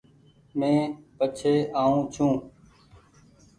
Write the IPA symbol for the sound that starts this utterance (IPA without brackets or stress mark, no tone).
m